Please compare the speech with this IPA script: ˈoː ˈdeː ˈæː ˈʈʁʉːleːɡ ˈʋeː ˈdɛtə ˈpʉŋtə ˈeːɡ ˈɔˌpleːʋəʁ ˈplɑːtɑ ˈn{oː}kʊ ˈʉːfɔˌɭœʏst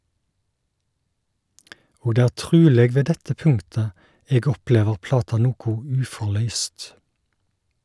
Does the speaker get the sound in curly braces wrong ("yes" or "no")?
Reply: yes